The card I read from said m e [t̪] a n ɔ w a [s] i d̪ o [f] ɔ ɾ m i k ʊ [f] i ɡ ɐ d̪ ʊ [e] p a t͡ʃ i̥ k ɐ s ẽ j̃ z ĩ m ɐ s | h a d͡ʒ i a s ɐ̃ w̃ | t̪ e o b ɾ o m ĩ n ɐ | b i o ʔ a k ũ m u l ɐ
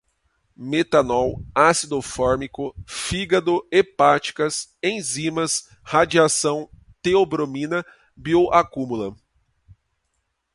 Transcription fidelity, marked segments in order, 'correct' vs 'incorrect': correct, correct, correct, correct, correct

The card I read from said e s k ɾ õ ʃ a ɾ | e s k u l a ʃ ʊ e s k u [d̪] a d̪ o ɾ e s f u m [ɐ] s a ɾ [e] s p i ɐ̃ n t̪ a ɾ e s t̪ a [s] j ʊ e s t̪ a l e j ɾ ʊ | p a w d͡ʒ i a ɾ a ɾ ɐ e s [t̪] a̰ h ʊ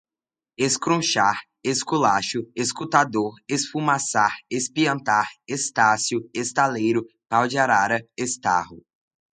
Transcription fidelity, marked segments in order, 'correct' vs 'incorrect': incorrect: t̪, incorrect: a, correct, correct, correct

